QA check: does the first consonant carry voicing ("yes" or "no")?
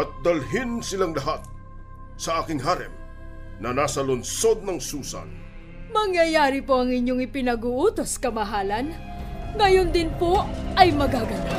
no